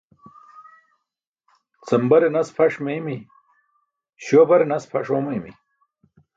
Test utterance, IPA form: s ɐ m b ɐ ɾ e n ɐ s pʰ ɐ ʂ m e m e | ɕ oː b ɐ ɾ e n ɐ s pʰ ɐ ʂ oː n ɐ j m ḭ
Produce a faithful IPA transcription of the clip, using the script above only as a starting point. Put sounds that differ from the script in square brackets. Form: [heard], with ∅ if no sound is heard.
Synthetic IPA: [t͡s] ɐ m b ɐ ɾ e n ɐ s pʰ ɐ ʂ m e m [i] | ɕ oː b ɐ ɾ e n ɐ s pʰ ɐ ʂ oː [m] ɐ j m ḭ